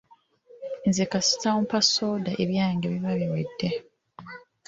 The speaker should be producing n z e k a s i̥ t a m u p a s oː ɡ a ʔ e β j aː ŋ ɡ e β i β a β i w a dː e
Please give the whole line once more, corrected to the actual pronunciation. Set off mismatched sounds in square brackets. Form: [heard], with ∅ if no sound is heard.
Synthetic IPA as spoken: n z e k a s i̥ t a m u p a s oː [d] a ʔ e β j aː ŋ ɡ e β i β a β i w [e] dː e